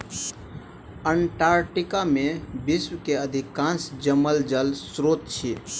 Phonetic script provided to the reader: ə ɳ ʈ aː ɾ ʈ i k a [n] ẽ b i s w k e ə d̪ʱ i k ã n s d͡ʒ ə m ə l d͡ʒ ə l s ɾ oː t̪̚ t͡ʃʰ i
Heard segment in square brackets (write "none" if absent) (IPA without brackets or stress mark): m